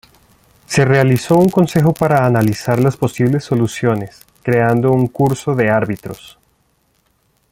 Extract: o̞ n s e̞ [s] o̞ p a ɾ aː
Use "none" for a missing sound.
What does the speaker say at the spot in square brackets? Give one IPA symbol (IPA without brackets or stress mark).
x